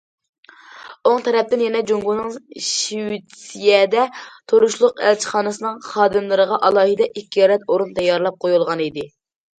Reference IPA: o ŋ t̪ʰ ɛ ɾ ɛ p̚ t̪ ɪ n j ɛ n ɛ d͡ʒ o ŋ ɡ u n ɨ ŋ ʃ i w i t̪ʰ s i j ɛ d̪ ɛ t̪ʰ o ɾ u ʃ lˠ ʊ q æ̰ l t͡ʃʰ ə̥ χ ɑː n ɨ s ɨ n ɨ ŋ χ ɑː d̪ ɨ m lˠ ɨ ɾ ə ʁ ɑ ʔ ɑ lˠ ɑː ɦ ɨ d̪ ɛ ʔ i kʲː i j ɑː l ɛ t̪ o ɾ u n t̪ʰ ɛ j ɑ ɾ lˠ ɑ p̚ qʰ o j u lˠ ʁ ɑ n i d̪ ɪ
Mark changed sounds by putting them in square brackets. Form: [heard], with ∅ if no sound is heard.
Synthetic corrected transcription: o ŋ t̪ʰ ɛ ɾ ɛ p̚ t̪ ɪ n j ɛ n ɛ d͡ʒ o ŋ ɡ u n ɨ ŋ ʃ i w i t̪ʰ s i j ɛ d̪ ɛ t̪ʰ o ɾ u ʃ lˠ ʊ q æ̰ l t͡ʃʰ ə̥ χ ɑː n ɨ s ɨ n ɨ ŋ χ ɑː d̪ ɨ m lˠ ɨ ɾ ə ʁ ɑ ʔ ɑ lˠ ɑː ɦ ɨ d̪ ɛ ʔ i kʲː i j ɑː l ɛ t̪ o ɾ u n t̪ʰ ɛ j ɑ ɾ lˠ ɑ p̚ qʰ o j u lˠ ʁ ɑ n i d̪ ɪ